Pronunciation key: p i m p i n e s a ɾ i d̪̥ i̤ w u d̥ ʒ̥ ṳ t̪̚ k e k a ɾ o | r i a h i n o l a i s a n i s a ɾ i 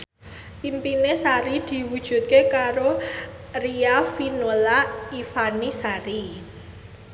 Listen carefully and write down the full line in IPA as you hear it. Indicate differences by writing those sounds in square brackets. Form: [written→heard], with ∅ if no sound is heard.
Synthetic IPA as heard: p i m p i n e s a ɾ i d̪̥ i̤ w u d̥ ʒ̥ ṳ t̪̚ k e k a ɾ o | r i a [h→f] i n o l a i [s→f] a n i s a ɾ i